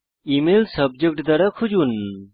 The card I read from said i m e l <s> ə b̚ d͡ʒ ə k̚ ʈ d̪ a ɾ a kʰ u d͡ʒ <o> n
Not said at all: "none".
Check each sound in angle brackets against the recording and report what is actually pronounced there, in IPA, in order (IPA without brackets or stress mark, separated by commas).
s, u